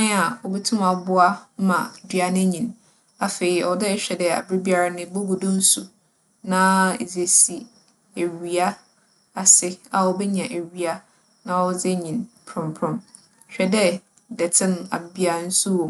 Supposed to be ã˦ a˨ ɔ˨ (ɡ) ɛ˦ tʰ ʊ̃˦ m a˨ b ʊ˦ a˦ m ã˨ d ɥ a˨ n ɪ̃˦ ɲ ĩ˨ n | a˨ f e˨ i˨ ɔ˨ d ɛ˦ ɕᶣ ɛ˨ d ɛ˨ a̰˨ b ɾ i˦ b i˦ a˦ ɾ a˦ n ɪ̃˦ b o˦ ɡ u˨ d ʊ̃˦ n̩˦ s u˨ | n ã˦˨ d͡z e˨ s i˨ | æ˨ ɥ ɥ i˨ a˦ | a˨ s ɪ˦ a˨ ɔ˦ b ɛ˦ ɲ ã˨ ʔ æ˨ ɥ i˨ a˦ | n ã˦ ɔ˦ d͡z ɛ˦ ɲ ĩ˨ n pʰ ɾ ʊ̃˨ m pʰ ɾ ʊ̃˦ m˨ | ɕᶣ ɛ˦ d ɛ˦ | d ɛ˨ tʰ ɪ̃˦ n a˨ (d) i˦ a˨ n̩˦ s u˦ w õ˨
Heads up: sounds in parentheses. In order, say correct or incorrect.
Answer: incorrect: b, incorrect: b

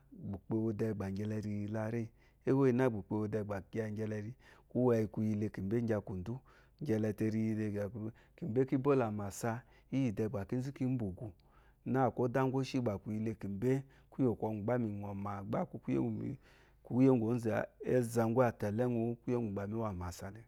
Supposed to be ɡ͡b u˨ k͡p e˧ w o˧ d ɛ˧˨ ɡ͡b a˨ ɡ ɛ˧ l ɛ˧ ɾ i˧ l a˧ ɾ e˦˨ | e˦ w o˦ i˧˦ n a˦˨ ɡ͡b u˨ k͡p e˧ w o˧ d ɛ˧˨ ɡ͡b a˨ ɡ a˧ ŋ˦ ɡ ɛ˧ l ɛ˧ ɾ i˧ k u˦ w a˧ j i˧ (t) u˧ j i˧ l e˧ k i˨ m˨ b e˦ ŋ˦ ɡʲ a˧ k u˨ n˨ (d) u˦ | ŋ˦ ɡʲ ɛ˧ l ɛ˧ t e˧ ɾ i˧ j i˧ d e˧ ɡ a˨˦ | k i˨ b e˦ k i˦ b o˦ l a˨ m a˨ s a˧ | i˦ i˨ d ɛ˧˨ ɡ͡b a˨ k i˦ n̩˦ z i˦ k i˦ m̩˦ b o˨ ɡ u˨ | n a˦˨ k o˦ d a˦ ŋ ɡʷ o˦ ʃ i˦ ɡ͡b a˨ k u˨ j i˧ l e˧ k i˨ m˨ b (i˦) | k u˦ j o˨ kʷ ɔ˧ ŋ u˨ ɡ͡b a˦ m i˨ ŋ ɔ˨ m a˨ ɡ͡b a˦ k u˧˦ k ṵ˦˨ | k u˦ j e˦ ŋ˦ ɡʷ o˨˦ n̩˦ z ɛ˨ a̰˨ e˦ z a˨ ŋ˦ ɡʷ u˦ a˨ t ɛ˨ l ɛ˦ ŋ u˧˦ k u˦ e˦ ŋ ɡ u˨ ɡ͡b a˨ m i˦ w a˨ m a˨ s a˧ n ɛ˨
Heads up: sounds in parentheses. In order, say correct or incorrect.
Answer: incorrect: k, correct, incorrect: e˦

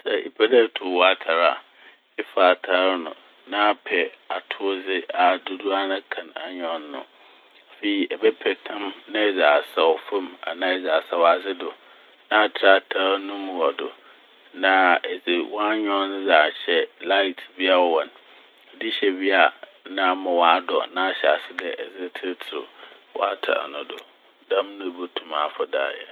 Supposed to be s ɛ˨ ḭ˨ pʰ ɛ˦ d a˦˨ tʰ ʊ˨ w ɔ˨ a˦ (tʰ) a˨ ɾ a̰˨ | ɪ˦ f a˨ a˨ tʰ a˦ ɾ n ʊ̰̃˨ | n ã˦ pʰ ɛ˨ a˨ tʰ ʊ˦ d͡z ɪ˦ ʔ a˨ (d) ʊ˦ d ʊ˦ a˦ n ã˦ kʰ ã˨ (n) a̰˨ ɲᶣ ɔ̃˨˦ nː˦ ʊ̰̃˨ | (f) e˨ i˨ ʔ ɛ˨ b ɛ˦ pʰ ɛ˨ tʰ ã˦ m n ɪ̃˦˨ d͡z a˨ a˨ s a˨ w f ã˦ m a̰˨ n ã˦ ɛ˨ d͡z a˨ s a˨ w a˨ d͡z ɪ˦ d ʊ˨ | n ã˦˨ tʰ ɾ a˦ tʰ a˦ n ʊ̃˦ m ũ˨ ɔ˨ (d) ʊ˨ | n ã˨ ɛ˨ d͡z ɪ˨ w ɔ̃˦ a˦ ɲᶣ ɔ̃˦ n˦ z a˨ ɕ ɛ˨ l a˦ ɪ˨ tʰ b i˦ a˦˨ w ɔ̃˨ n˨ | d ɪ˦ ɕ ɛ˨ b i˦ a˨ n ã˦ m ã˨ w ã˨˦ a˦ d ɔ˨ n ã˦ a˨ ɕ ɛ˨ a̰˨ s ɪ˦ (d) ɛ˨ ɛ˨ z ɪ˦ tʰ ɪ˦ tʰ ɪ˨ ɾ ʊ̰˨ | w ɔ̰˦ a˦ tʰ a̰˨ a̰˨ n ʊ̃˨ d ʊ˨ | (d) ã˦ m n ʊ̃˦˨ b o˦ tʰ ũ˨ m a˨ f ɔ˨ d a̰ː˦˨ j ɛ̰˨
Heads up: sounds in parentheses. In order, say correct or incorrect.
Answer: correct, correct, correct, correct, correct, correct, correct

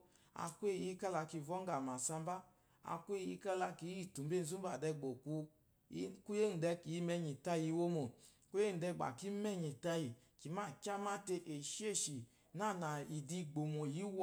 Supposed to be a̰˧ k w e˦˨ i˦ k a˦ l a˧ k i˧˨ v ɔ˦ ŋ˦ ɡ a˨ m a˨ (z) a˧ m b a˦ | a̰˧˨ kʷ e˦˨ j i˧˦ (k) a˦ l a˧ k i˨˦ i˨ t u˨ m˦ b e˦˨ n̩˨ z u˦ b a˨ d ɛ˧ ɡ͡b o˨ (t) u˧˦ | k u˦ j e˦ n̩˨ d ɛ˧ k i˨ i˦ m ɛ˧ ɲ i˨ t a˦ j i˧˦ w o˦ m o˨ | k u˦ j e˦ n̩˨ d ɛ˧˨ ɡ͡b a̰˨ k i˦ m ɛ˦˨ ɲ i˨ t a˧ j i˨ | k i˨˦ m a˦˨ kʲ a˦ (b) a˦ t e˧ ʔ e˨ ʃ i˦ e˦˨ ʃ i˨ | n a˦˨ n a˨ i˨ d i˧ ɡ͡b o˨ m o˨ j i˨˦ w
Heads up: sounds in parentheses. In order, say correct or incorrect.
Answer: incorrect: s, correct, incorrect: k, incorrect: m

